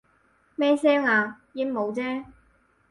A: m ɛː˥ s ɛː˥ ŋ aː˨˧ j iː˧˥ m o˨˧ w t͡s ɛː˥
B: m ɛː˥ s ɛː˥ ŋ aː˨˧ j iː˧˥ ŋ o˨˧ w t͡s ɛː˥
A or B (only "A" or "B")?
A